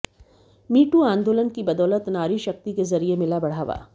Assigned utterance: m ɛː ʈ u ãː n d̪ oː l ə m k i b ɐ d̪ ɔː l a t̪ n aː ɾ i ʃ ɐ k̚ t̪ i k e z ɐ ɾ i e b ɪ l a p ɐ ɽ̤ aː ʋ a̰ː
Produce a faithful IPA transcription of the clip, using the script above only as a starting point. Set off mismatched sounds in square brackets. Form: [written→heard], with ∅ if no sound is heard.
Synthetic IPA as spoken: m [ɛː→iː] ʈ u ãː n d̪ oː l ə [m→n] k i b ɐ d̪ ɔː l [a→ə] t̪ n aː ɾ i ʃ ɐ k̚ t̪ i k e z ɐ ɾ i e [b→m] ɪ l a [p→b] ɐ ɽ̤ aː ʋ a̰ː